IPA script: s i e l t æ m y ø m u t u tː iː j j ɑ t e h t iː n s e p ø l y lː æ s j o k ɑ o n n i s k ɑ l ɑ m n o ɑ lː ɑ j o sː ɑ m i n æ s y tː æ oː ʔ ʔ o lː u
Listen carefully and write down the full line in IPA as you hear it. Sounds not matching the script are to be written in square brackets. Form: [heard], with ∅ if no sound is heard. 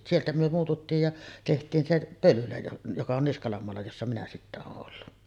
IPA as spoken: s i e l t æ m y ø m [uː] t u tː iː j j ɑ t e h t iː n s e p ø l y [l] æ [∅] j o k ɑ o n n i s k ɑ l ɑ m [m] o ɑ lː ɑ j o sː ɑ m i n æ s [i] tː æ oː ʔ ʔ o lː u